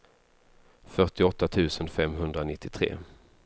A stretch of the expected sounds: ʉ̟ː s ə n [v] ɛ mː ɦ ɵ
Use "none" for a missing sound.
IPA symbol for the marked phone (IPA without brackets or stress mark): f